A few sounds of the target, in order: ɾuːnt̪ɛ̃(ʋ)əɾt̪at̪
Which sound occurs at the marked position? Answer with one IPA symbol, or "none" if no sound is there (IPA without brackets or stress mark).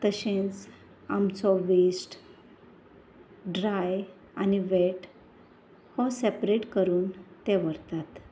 ʋ